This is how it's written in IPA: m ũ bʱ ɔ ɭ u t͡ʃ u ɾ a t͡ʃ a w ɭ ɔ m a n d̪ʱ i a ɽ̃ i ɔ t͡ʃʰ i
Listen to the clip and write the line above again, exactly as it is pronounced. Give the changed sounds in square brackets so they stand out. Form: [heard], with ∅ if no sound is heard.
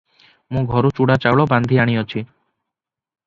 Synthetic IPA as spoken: m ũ [ɡʱ] ɔ [ɾ] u t͡ʃ u [ɽ] a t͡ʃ a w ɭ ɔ [b] a n d̪ʱ i a ɽ̃ i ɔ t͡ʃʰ i